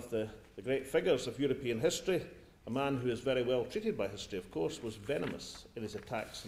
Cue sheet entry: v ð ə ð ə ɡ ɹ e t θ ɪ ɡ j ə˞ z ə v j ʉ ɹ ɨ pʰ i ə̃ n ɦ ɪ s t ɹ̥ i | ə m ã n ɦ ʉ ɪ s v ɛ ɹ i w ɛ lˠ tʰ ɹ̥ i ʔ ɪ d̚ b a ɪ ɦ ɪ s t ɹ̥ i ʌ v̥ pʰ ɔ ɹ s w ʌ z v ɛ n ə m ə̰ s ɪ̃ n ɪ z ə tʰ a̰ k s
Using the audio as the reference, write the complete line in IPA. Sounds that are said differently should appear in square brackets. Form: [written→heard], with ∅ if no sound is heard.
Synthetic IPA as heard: v ð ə ð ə ɡ ɹ e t [θ→f] ɪ ɡ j ə˞ z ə v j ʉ ɹ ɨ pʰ i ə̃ n ɦ ɪ s t ɹ̥ i | ə m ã n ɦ ʉ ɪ [s→z] v ɛ ɹ i w ɛ lˠ tʰ ɹ̥ i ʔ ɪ d̚ b a ɪ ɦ ɪ s t ɹ̥ i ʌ v̥ [pʰ→kʰ] ɔ ɹ s w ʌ z v ɛ n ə m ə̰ s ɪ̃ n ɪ z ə tʰ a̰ k s